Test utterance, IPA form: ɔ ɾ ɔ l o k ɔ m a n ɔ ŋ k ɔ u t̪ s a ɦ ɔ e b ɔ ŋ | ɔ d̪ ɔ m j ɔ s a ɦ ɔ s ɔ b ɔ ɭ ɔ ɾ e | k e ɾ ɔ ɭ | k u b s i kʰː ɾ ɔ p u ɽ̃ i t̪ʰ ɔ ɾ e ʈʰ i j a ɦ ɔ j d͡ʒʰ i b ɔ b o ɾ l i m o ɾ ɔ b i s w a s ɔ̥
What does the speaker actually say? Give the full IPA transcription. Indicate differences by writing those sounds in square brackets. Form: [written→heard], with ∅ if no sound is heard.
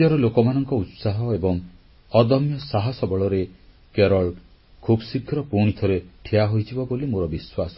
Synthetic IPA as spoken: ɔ ɾ ɔ l o k ɔ m a n ɔ ŋ k ɔ u t̪ s a ɦ ɔ e b ɔ ŋ | ɔ d̪ ɔ m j ɔ s a ɦ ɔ s ɔ b ɔ ɭ ɔ ɾ e | k e ɾ ɔ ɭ | [k→kʰ] u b s i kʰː ɾ ɔ p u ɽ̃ i t̪ʰ ɔ ɾ e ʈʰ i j a ɦ [ɔ→o] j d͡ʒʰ i b ɔ b o [ɾ→∅] l i m o ɾ ɔ b i s w a s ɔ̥